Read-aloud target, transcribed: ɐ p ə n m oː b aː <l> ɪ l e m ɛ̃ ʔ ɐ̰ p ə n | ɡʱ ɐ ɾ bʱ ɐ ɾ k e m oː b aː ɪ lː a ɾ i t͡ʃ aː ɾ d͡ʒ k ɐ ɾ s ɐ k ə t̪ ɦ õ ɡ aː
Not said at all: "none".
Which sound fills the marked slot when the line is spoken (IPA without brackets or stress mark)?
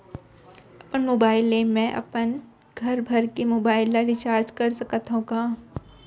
none